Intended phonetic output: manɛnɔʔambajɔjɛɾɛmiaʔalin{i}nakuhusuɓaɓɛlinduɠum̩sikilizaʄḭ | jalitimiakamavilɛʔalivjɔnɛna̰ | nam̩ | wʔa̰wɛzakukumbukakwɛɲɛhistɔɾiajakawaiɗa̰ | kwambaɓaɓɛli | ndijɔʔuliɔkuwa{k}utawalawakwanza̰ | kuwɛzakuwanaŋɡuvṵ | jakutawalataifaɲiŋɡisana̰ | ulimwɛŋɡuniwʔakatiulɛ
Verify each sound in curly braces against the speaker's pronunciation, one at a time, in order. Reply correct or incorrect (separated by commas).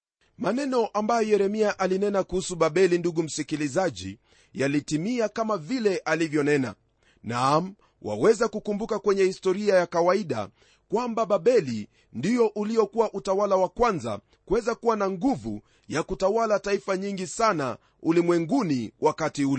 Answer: incorrect, incorrect